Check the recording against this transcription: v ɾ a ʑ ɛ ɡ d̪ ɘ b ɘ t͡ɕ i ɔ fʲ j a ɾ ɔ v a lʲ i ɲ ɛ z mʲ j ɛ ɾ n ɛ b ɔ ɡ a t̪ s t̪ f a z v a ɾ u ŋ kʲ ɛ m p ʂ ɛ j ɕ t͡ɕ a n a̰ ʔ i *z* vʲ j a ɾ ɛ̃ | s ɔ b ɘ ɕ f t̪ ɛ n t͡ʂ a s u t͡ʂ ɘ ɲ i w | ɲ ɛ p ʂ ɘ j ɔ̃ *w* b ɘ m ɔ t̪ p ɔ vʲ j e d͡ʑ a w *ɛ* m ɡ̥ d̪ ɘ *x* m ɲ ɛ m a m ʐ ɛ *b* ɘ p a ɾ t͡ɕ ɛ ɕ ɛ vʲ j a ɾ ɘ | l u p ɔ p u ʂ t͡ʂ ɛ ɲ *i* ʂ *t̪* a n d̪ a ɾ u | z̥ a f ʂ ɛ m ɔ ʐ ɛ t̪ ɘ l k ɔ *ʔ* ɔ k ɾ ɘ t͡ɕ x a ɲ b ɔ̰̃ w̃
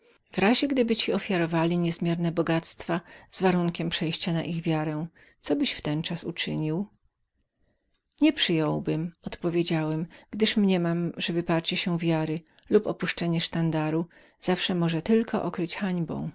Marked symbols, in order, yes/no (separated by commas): no, yes, yes, no, no, no, yes, yes